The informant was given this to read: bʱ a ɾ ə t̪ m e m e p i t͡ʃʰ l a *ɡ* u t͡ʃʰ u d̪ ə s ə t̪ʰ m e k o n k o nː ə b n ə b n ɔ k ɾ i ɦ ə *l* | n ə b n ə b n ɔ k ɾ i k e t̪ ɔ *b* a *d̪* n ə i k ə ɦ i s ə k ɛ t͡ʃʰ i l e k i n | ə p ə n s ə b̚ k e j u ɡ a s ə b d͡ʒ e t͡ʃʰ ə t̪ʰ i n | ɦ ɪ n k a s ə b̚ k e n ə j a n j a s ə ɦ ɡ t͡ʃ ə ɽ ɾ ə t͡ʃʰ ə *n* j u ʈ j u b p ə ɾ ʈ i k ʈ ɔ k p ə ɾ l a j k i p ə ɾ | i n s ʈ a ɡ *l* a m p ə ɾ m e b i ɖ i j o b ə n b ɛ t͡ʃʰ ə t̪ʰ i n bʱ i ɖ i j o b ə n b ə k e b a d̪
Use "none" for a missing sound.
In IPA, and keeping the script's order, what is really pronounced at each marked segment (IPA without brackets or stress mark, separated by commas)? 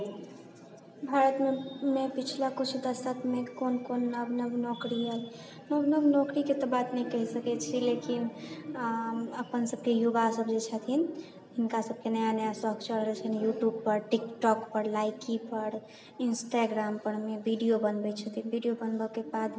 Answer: k, l, b, t̪, n, ɾ